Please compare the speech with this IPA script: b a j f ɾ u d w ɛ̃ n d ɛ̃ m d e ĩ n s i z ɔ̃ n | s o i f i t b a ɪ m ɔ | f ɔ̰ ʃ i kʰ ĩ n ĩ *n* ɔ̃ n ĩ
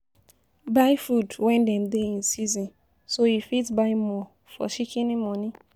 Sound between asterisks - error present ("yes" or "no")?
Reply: yes